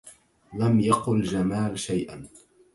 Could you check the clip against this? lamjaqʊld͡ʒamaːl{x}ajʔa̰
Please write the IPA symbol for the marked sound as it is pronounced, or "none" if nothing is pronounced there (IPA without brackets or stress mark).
ʃ